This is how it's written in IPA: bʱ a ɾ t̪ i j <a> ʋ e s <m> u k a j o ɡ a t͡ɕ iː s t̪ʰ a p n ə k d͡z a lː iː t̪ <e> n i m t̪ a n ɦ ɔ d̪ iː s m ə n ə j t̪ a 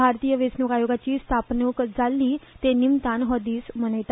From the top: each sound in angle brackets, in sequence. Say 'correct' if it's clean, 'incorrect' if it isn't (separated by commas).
incorrect, incorrect, correct